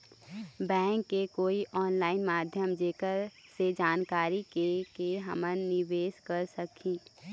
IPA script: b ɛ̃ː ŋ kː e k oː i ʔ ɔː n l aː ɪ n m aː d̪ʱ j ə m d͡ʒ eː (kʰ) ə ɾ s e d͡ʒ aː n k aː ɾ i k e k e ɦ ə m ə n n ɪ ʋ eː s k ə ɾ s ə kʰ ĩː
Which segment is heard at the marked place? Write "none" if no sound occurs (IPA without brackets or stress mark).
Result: k